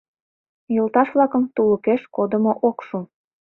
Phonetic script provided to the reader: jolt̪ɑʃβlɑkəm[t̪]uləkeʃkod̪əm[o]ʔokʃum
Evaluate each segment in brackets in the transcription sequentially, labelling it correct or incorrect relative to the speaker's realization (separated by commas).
correct, correct